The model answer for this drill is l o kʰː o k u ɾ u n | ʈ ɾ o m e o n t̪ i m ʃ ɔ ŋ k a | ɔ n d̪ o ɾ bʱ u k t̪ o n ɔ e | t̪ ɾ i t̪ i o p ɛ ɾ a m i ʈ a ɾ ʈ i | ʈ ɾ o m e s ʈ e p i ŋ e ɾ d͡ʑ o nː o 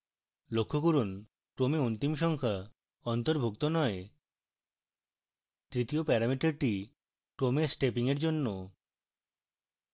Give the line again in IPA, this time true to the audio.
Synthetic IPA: l o kʰː o k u ɾ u n | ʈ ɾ o m e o n t̪ i m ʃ ɔ ŋ kʰ a | ɔ n t̪ o ɾ bʱ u k t̪ o n ɔ e | t̪ ɾ i t̪ i o p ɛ ɾ a m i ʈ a ɾ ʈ i | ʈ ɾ o m e s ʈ e p i ŋ e ɾ d͡ʑ o nː o